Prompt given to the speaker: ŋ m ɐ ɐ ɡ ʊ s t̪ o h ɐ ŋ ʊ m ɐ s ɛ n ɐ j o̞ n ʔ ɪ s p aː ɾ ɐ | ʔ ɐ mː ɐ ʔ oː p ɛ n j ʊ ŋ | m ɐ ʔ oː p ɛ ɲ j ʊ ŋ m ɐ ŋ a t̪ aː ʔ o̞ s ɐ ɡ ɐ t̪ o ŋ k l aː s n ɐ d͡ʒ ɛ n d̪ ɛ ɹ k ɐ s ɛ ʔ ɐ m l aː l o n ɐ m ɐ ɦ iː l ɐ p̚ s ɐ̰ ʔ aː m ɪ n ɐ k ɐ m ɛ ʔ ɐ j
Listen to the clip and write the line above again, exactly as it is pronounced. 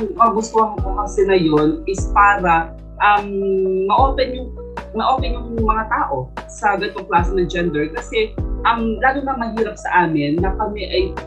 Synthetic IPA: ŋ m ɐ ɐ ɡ ʊ s t̪ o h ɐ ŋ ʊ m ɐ s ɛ n ɐ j o̞ n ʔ ɪ s p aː ɾ ɐ | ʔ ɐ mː ɐ ʔ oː p ɛ n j ʊ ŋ | m ɐ ʔ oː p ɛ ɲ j ʊ ŋ m ɐ ŋ a t̪ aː ʔ o̞ s ɐ ɡ ɐ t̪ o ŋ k l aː s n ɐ d͡ʒ ɛ n d̪ ɛ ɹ k ɐ s ɛ ʔ ɐ m l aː l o n ɐ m ɐ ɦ iː ɾ ɐ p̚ s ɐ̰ ʔ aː m ɪ nː ɐ k ɐ m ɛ ʔ ɐ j